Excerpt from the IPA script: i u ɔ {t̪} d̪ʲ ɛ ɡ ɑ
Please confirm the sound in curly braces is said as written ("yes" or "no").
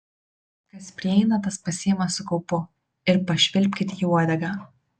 no